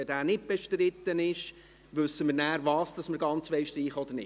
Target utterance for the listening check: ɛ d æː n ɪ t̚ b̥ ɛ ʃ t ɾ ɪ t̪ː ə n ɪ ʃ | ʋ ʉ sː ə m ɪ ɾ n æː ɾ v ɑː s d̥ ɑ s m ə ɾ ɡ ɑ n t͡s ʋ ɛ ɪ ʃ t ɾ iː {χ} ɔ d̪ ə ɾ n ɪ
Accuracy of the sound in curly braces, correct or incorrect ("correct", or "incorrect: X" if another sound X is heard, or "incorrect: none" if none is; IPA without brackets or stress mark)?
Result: correct